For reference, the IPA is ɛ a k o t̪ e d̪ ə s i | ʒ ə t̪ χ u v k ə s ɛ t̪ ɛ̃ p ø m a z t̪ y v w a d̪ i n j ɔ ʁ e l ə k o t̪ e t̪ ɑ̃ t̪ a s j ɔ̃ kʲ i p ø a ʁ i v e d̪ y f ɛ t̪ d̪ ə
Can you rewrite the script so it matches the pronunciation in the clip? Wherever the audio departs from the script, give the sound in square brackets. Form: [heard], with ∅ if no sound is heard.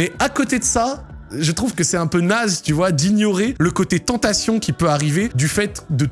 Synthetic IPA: ɛ a k o t̪ e d̪ ə s [a] | ʒ ə t̪ χ u v k ə s ɛ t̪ ɛ̃ p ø [n] a z t̪ y v w a d̪ i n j ɔ ʁ e l ə k o t̪ e t̪ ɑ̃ t̪ a s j ɔ̃ kʲ i p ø a ʁ i v e d̪ y f ɛ t̪ d̪ ə